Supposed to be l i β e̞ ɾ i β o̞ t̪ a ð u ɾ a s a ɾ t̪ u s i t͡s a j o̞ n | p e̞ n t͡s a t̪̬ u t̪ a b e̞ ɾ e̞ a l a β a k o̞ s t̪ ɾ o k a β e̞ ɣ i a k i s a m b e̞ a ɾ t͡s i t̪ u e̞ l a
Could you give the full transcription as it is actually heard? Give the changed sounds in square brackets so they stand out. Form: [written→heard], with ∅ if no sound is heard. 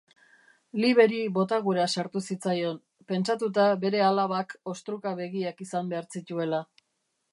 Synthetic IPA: l i β e̞ ɾ i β o̞ t̪ a [ð→ɣ] u ɾ a s a ɾ t̪ u s i t͡s a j o̞ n | p e̞ n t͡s a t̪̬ u t̪ a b e̞ ɾ e̞ a l a β a k o̞ s t̪ ɾ [o→u] k a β e̞ ɣ i a k i s a m b e̞ a ɾ t͡s i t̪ u e̞ l a